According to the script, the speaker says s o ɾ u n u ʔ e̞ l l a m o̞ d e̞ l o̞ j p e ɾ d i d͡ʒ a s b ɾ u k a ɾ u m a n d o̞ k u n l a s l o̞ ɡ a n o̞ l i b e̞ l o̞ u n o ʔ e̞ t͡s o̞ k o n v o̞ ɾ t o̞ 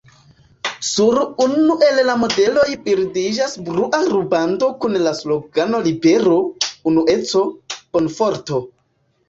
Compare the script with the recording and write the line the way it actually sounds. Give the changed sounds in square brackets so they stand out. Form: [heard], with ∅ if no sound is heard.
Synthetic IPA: s [u] ɾ u n u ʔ e̞ l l a m o̞ d e̞ l o̞ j p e ɾ d i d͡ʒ a s b ɾ u [ʔ] a ɾ u [b] a n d o̞ k u n l a s l o̞ ɡ a n o̞ l i b e̞ [ɾ] o̞ u n [u] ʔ e̞ t͡s o̞ k o n [f] o̞ ɾ t o̞